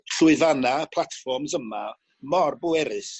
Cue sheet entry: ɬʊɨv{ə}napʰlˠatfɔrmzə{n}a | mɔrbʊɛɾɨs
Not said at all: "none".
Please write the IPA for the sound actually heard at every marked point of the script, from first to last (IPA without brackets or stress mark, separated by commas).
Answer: a, m